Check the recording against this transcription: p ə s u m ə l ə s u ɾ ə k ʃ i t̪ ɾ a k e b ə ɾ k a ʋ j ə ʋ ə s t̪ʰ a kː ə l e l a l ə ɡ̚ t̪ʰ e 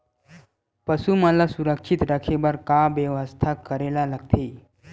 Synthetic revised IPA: p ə s u m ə l a s u ɾ ə k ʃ i t̪ ɾ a kʰ e b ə ɾ k a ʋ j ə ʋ ə s t̪ʰ a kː ə ɾ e l a l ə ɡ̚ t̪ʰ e